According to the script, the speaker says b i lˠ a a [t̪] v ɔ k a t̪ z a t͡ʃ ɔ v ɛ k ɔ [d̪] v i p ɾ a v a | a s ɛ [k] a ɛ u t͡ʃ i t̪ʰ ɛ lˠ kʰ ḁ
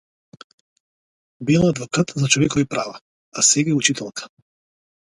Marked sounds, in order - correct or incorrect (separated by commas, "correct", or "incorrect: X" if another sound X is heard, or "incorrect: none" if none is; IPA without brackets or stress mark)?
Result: incorrect: d̪, incorrect: none, incorrect: ɡ